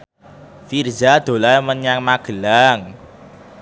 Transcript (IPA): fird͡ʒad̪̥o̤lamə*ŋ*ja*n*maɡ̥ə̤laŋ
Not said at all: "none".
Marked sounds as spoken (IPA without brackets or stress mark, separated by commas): n, ŋ